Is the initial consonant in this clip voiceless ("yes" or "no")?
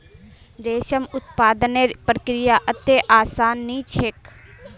no